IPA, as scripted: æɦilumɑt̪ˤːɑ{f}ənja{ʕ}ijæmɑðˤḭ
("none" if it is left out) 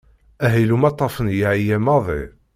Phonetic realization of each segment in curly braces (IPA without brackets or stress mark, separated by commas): f, ʕ